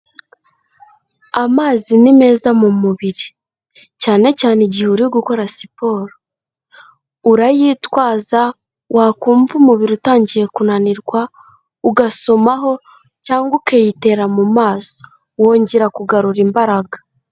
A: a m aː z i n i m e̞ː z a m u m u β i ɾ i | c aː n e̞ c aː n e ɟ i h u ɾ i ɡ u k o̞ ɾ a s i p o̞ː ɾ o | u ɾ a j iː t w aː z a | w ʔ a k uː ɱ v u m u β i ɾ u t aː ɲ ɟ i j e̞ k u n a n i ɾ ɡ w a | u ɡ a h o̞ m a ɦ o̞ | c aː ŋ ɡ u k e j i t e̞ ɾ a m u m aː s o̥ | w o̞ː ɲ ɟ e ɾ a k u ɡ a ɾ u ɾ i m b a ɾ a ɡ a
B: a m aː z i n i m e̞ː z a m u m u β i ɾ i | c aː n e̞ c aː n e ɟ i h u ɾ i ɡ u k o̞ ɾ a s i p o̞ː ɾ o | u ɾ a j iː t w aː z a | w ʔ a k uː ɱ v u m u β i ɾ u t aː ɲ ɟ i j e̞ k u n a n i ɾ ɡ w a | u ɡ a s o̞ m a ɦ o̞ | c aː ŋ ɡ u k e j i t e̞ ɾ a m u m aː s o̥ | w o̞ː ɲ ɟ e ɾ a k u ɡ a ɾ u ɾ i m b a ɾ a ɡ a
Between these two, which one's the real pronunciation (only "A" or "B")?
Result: B